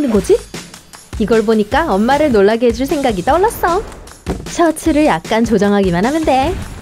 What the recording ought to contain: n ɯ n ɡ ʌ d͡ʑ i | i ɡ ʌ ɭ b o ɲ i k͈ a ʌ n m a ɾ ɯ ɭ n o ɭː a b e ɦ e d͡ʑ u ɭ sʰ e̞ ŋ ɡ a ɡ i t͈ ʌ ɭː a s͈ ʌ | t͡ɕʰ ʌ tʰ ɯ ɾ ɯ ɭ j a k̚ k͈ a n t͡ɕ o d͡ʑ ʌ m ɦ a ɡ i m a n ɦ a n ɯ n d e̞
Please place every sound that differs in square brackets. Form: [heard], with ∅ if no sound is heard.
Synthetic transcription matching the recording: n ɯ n ɡ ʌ d͡ʑ i | i ɡ ʌ ɭ b o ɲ i k͈ a ʌ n m a ɾ ɯ ɭ n o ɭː a [ɡ] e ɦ e d͡ʑ u ɭ sʰ e̞ ŋ ɡ a ɡ i t͈ ʌ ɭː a s͈ ʌ | t͡ɕʰ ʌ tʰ ɯ ɾ ɯ ɭ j a k̚ k͈ a n t͡ɕ o d͡ʑ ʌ [ŋ] ɦ a ɡ i m a n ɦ a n ɯ n d e̞